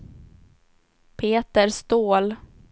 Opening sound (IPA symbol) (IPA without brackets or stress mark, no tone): pʰ